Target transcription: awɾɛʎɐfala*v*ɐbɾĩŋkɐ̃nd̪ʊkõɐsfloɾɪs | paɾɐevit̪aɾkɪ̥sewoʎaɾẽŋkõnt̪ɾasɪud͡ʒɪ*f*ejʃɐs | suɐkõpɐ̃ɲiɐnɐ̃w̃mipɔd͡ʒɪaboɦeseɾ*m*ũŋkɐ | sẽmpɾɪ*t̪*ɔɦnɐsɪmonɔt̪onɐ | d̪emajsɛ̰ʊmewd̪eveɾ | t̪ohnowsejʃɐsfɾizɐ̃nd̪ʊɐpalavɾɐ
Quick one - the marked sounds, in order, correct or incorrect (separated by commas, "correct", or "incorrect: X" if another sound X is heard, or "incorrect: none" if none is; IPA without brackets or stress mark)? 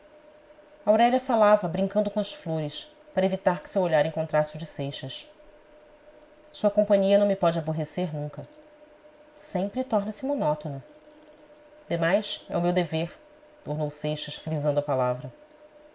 correct, incorrect: s, incorrect: n, correct